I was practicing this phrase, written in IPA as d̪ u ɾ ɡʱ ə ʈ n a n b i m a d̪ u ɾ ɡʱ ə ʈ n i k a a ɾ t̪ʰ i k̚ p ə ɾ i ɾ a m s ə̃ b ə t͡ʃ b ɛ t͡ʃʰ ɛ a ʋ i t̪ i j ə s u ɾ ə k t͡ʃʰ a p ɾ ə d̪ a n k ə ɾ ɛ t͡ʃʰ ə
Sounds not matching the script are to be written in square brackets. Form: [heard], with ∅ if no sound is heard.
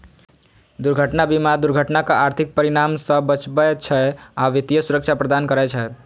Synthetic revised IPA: d̪ u ɾ ɡʱ ə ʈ n a [∅] b i m a d̪ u ɾ ɡʱ ə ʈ n [a] k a a ɾ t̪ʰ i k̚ p ə ɾ i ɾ a m s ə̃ b ə t͡ʃ b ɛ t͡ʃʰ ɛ a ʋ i t̪ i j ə s u ɾ ə k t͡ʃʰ a p ɾ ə d̪ a n k ə ɾ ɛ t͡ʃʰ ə